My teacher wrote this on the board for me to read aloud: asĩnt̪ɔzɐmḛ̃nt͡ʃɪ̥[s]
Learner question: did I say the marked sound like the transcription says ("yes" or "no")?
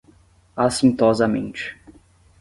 no